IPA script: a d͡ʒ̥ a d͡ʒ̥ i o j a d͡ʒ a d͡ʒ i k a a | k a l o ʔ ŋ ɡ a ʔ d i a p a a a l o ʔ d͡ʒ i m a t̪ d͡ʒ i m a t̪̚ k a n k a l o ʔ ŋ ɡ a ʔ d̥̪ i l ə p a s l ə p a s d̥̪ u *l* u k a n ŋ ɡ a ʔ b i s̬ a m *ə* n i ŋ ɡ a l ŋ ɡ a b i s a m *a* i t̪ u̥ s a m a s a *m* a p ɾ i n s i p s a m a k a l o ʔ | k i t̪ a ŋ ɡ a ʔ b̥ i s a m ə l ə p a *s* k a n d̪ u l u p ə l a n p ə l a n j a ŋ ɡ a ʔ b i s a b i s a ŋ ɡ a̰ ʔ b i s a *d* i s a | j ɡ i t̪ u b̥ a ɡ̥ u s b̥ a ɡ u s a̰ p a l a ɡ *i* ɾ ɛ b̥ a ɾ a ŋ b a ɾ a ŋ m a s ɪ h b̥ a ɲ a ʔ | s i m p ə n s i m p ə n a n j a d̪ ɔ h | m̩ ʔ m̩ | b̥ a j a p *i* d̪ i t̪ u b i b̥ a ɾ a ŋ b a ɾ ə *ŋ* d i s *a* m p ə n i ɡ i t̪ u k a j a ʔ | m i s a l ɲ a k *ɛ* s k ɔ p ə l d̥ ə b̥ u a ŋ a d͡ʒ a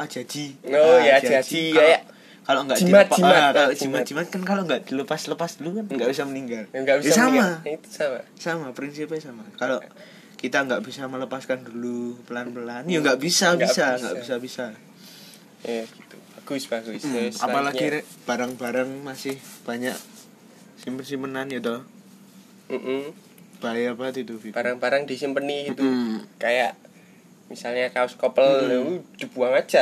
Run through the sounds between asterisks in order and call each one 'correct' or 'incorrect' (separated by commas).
correct, correct, correct, correct, correct, incorrect, correct, incorrect, correct, incorrect, incorrect